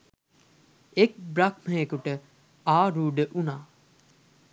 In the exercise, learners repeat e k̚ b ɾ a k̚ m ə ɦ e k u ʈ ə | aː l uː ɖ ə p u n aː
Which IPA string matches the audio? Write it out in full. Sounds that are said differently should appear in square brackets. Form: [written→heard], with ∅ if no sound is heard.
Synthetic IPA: e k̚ b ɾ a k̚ m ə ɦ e k u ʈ ə | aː [l→ɾ] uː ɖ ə [p→ʔ] u n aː